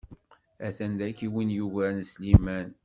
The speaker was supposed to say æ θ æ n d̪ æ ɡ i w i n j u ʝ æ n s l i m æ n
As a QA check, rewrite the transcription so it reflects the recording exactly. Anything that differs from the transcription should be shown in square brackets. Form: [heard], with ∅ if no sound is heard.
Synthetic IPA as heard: æ θ æ n d̪ æ [k] i w i n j u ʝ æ n s l i m æ n